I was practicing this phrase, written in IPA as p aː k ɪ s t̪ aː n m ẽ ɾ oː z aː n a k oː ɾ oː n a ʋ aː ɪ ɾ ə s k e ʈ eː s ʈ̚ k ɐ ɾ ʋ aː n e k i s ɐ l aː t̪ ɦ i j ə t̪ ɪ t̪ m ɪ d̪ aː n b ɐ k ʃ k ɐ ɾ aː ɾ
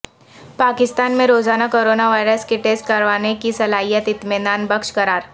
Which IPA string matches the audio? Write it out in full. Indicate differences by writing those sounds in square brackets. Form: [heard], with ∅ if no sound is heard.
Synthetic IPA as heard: p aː k ɪ s t̪ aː n m ẽ ɾ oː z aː n a k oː ɾ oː n a ʋ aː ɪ ɾ ə s k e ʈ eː s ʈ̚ k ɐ ɾ ʋ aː n e k i s ɐ l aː [∅] ɦ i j ə t̪ ɪ t̪ m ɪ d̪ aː n b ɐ k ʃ k ɐ ɾ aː ɾ